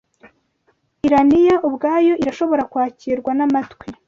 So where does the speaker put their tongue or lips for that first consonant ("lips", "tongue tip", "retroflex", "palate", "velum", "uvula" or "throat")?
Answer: tongue tip